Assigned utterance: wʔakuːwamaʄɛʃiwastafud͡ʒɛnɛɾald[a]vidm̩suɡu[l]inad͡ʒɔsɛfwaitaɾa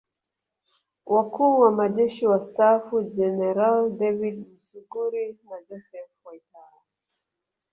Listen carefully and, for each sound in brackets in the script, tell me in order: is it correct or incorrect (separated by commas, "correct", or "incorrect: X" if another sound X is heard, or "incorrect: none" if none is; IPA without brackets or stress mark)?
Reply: incorrect: ɛ, incorrect: ɾ